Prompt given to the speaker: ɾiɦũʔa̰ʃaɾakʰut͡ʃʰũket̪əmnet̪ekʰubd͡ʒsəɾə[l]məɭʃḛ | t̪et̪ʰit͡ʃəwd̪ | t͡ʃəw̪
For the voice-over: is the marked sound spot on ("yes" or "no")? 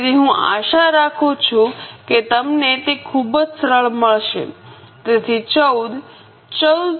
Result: no